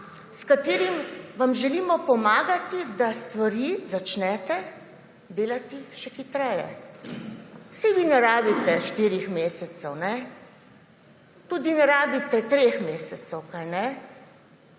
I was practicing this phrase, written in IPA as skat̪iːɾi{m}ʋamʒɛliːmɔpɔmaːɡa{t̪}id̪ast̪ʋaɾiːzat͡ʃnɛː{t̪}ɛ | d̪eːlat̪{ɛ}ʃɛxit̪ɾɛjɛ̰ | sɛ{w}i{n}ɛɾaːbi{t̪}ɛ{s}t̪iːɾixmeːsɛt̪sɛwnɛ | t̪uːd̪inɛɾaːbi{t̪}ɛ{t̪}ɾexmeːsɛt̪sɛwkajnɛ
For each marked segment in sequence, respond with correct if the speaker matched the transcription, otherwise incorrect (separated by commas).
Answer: correct, correct, correct, incorrect, incorrect, correct, correct, incorrect, correct, correct